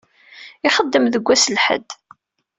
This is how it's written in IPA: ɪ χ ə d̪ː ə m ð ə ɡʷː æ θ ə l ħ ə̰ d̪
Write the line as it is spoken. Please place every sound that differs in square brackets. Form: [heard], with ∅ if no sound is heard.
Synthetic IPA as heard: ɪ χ ə d̪ː ə m ð ə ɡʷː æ [s] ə l ħ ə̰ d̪